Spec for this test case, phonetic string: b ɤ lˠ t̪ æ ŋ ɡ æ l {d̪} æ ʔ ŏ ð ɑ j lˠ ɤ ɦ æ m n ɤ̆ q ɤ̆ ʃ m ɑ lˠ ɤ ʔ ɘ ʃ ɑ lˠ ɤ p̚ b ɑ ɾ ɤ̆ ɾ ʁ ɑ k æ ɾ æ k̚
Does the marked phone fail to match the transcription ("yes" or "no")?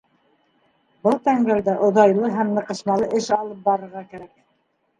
no